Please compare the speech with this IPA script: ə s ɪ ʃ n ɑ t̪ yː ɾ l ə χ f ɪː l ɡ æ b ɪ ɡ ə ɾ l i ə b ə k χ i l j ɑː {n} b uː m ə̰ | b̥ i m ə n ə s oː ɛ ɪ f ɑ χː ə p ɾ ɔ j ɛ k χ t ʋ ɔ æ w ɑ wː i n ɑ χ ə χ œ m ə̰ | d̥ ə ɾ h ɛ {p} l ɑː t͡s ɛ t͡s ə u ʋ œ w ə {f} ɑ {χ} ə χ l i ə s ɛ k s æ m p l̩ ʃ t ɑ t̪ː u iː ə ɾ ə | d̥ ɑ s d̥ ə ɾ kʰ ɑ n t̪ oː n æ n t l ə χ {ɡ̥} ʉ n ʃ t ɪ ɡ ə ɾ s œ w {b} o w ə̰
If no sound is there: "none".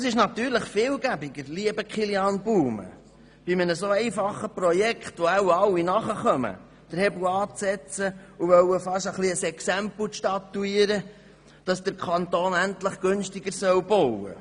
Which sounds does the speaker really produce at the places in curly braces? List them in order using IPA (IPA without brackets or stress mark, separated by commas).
n, b, f, ʃ, ɡ̥, b